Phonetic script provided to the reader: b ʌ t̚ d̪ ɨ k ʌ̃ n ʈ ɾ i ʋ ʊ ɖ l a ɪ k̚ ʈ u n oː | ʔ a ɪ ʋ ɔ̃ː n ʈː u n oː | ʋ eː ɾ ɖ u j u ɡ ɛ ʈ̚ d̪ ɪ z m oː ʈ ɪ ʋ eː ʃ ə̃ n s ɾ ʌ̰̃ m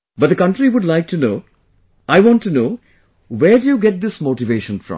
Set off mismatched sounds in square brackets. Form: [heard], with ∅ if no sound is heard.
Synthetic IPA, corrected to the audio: b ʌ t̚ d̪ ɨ k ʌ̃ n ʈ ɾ i ʋ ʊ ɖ l a ɪ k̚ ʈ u n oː | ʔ a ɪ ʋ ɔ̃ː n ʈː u n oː | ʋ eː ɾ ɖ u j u ɡ ɛ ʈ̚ d̪ ɪ [s] m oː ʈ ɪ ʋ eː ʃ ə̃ n [f] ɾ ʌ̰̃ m